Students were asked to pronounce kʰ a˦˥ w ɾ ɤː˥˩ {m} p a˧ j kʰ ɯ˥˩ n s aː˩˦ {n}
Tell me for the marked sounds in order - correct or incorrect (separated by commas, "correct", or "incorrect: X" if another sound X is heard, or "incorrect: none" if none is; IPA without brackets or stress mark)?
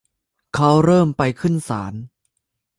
correct, correct